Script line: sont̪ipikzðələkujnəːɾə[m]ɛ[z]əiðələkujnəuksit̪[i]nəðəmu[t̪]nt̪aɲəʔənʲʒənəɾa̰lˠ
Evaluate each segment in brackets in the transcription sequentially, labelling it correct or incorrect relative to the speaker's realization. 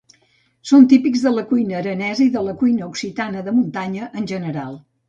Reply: incorrect: n, correct, incorrect: a, incorrect: none

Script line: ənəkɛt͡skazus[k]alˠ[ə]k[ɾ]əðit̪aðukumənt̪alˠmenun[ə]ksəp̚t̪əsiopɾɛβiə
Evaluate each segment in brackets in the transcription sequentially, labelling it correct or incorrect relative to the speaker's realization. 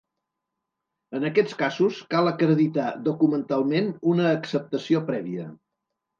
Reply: correct, correct, correct, incorrect: əː

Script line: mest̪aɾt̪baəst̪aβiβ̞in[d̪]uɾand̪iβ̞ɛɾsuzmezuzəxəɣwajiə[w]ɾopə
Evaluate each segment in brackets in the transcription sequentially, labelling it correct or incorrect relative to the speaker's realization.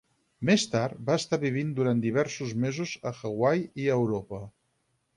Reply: correct, correct

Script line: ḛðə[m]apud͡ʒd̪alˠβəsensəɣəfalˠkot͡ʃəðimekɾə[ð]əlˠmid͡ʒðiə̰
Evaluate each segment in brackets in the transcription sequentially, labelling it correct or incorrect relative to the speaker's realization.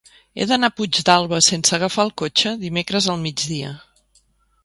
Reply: incorrect: n, incorrect: z

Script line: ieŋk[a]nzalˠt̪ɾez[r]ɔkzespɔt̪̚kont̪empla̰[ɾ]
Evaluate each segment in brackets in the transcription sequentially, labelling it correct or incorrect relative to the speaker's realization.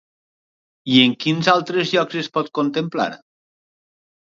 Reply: incorrect: i, incorrect: ʎ, correct

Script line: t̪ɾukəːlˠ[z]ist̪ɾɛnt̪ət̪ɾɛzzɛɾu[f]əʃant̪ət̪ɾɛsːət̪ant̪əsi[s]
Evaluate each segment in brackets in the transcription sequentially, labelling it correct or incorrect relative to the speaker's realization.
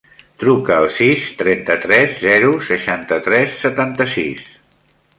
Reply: incorrect: s, incorrect: s, correct

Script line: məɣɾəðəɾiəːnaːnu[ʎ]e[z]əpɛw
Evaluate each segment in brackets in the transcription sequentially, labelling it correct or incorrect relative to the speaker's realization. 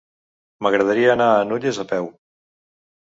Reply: correct, correct

